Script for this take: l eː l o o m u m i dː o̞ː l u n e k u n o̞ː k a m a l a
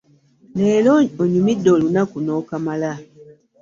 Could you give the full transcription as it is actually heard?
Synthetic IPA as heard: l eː l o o ɲ u m i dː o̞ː l u n a k u n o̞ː k a m a l a